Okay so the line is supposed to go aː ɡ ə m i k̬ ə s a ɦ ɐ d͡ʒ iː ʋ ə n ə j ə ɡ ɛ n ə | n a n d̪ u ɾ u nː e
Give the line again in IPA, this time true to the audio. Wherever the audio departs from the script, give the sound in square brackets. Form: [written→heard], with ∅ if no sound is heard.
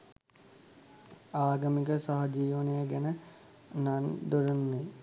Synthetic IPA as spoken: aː ɡ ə m i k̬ ə s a ɦ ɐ d͡ʒ iː ʋ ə n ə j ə ɡ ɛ n ə | n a n d̪ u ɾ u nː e